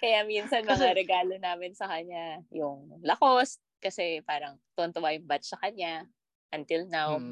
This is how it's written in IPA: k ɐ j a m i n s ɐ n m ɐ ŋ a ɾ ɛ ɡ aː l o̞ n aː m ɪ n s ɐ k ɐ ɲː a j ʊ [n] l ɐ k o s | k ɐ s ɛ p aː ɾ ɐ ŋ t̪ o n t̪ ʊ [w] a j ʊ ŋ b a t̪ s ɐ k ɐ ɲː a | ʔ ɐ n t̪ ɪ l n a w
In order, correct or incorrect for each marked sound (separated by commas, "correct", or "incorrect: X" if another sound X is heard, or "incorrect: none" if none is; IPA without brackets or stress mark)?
incorrect: ŋ, correct